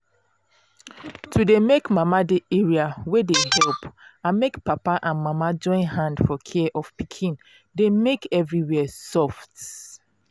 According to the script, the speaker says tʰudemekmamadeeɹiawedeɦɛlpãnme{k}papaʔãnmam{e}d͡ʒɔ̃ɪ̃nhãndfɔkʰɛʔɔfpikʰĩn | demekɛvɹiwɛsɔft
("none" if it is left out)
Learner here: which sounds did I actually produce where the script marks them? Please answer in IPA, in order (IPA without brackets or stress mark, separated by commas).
k, a